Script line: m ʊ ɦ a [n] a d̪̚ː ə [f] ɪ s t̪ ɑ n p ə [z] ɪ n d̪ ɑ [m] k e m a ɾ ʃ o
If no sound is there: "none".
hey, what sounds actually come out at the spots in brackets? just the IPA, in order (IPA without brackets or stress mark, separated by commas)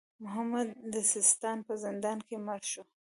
m, s, z, n